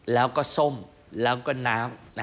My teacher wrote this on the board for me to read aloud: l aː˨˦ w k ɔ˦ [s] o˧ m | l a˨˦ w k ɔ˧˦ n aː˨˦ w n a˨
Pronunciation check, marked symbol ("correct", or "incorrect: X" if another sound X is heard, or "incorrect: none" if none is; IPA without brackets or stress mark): correct